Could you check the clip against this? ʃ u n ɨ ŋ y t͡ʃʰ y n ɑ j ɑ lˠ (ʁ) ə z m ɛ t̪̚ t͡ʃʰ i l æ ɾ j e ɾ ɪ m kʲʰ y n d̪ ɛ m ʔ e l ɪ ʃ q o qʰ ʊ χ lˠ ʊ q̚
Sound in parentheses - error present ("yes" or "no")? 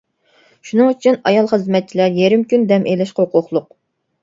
yes